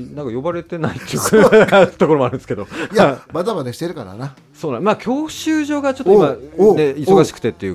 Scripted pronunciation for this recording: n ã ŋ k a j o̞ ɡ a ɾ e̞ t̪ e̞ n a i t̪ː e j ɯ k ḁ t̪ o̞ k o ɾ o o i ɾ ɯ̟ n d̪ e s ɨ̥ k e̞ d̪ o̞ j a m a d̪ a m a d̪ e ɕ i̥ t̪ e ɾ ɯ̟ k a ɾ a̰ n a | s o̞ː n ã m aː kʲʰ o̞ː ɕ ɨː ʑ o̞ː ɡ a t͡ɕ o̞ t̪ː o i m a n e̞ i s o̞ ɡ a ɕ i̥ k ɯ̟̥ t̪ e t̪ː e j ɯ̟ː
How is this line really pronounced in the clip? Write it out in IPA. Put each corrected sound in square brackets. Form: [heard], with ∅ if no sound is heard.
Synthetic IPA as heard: n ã ŋ k a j o̞ [b] a ɾ e̞ t̪ e̞ n a i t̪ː e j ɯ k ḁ t̪ o̞ k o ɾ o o [a] ɾ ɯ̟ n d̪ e s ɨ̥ k e̞ d̪ o̞ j a m a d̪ a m a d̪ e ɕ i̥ t̪ e ɾ ɯ̟ k a ɾ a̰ n a | s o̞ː n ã m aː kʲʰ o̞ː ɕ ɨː ʑ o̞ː ɡ a t͡ɕ o̞ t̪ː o i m a n e̞ i s o̞ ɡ a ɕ i̥ k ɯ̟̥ t̪ e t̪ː e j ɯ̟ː